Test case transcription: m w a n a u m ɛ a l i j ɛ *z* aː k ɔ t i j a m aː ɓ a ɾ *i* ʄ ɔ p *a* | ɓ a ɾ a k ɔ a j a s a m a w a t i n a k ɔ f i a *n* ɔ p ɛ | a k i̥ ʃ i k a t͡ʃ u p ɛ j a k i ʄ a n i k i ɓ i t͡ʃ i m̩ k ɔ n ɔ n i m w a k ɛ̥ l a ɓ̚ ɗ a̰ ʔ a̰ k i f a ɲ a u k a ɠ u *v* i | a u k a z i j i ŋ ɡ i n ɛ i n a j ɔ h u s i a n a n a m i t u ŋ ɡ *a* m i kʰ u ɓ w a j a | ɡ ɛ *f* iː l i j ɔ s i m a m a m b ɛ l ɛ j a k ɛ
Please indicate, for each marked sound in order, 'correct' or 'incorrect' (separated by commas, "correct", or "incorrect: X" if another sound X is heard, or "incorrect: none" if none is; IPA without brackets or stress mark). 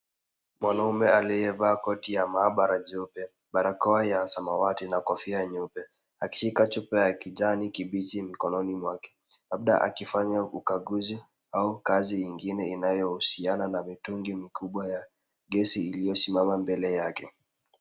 incorrect: v, incorrect: a, incorrect: ɛ, incorrect: ɲ, incorrect: z, incorrect: i, incorrect: s